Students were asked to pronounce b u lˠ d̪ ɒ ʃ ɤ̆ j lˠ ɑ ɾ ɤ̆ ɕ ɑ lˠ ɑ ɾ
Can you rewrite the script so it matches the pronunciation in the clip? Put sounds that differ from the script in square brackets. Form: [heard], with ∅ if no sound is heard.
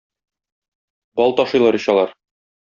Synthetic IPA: b [ɒ] lˠ [t̪] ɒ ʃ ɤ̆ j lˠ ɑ ɾ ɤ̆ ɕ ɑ lˠ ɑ ɾ